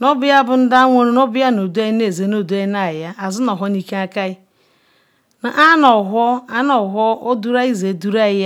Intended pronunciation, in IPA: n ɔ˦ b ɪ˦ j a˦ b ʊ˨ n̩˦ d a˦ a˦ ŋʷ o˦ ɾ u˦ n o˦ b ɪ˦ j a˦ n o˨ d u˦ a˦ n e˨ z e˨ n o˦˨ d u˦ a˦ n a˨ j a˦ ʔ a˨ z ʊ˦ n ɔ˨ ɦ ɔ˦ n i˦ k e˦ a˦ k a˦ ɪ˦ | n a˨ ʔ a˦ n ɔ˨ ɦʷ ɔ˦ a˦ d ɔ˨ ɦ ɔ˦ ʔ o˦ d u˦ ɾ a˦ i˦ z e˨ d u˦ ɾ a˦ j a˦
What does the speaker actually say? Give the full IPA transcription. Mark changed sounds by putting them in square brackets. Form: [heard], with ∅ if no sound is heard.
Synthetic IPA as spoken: n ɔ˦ b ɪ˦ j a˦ b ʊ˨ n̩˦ d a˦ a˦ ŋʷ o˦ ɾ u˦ n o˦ b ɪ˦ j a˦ n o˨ d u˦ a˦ n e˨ z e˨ n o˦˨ d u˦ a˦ n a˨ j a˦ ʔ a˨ z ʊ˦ n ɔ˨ ɦ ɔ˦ n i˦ k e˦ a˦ k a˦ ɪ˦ | n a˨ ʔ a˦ n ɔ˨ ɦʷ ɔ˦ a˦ [n] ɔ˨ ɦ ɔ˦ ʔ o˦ d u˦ ɾ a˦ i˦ z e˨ d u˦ ɾ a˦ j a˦